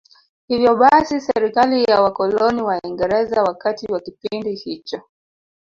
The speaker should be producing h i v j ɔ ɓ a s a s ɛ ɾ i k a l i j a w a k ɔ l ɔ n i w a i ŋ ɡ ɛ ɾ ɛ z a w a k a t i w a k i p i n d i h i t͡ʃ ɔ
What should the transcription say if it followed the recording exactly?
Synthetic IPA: h i v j ɔ ɓ a s i s ɛ ɾ i k a l i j a w a k ɔ l ɔ n i w a i ŋ ɡ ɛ ɾ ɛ z a w a k a t i w a k i p i n d i h i t͡ʃ ɔ

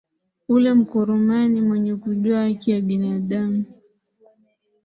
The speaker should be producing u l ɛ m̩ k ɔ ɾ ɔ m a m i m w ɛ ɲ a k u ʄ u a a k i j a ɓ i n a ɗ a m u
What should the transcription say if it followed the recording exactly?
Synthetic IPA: u l ɛ m̩ k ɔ ɾ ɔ m a n i m w ɛ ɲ ɛ k u ʄ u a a k i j a ɓ i n a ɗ a m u

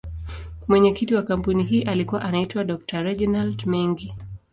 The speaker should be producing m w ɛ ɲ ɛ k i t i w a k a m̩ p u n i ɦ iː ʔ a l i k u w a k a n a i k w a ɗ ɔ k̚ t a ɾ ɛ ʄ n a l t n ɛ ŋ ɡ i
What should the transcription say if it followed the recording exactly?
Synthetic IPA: m w ɛ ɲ ɛ k i t i w a k a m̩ p u n i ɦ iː ʔ a l i k u w a ʔ a n a i t w a ɗ ɔ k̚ t a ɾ ɛ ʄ n a l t m ɛ ŋ ɡ i

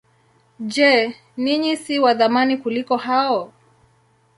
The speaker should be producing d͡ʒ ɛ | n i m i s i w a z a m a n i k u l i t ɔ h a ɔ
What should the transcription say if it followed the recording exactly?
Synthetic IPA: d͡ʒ ɛ | n i ɲ i s i w a ð a m a n i k u l i k ɔ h a ɔ

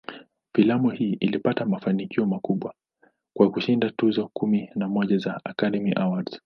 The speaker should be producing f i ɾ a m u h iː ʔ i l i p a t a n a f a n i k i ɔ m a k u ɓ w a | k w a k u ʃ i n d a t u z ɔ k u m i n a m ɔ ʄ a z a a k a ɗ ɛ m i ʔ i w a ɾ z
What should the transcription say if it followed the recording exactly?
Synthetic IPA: f i l a m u h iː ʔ i l i p a t a m a f a n i k i ɔ m a k u ɓ w a | k w a k u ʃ i n d a t u z ɔ k u m i n a m ɔ ʄ a z a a k a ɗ ɛ m i ʔ a w a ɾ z

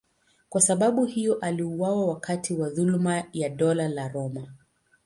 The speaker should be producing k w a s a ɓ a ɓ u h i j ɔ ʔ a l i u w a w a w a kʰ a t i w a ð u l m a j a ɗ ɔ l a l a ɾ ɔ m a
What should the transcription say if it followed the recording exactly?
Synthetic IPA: k w a s a ɓ a ɓ u h i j ɔ ʔ a l i u w a w a w a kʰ a t i w a ð u l m a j a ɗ ɔ l a l a ɾ ɔ m a

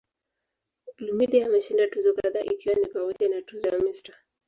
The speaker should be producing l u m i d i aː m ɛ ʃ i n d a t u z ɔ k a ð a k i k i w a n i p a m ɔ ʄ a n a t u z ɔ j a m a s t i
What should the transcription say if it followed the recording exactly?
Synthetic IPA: l u m i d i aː m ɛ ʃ i n d a t u z ɔ k a ð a ʔ i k i w a n i p a m ɔ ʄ a n a t u z ɔ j a m i s t a

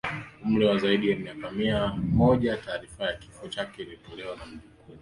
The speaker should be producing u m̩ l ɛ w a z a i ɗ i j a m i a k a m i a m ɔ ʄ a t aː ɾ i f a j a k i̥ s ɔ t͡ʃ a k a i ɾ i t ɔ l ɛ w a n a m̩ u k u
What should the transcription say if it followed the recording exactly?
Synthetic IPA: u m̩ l ɛ w a z a i ɗ i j a m i a k a m i a m ɔ ʄ a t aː ɾ i f a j a k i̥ f ɔ t͡ʃ a k ɛ i l i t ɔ l ɛ w a n a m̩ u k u

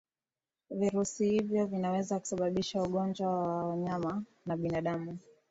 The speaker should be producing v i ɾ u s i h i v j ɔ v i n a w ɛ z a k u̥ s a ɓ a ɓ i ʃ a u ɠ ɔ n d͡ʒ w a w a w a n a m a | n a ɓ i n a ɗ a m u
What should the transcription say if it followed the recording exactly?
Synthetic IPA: v i ɾ u s i h i v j ɔ v i n a w ɛ z a k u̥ s a ɓ a ɓ i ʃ a u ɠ ɔ n d͡ʒ w a w a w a ɲ a m a | n a ɓ i n a ɗ a m u

